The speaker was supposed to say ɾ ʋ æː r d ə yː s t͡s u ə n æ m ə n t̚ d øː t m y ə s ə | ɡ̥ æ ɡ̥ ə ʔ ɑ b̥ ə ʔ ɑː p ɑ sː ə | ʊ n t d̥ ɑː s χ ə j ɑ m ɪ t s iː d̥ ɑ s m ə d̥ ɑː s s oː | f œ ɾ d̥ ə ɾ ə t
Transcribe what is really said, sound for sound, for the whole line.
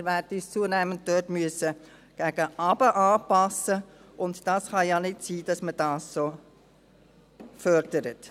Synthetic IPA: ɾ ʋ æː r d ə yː s t͡s u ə n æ m ə n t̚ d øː t m y ə s ə | ɡ̥ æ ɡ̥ ə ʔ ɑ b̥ ə ʔ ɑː p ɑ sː ə | ʊ n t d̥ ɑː s χ ɑ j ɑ n ɪ t s iː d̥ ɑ s m ə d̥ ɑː s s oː | f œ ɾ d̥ ə ɾ ə t